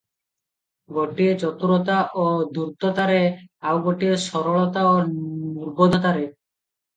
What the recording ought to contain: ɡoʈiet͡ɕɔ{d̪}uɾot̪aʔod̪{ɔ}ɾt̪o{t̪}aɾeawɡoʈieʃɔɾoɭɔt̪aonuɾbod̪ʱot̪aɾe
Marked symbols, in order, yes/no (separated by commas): no, no, yes